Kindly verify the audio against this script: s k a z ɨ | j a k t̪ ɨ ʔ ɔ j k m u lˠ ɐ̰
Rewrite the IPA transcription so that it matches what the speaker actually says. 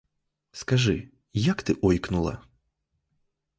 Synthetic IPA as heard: s k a ʐ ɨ | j a k t̪ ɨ ʔ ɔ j k n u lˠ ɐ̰